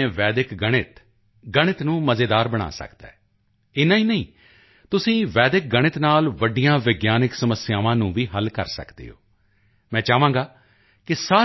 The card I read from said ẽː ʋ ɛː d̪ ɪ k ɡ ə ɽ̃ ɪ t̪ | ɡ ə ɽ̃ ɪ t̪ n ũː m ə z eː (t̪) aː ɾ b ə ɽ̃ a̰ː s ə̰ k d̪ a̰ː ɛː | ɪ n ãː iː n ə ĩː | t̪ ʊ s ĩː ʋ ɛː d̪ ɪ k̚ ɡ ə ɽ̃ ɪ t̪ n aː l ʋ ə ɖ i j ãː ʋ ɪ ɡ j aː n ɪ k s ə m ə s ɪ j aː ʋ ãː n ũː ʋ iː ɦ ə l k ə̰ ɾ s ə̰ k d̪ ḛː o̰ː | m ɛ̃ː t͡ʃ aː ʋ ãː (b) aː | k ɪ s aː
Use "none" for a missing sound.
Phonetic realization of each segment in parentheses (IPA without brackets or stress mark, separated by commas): d̪, ɡ